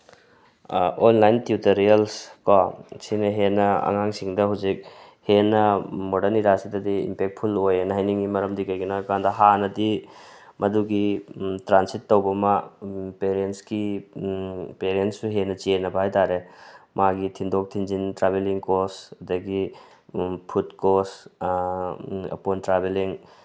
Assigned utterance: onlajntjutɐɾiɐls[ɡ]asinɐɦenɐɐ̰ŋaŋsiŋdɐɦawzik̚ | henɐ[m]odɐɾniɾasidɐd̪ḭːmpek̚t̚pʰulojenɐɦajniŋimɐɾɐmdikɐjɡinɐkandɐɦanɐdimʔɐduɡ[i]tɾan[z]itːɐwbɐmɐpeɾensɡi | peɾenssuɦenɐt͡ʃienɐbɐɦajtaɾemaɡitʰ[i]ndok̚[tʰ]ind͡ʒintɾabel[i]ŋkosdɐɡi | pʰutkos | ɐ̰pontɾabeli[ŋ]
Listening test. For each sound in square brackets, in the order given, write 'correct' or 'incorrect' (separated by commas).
incorrect, correct, correct, incorrect, correct, correct, correct, correct